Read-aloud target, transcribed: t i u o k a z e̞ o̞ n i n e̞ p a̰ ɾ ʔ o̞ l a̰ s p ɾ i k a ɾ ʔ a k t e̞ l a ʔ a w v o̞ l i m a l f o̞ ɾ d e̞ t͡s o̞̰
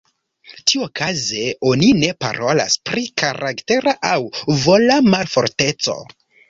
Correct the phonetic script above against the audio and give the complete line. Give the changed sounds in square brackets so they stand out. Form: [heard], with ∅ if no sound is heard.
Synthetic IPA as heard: t i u o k a z e̞ o̞ n i n e̞ p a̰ ɾ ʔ o̞ l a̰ s p ɾ i k a ɾ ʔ a k t e̞ [ɾ] a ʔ a w v o̞ l [a] m a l f o̞ ɾ [t] e̞ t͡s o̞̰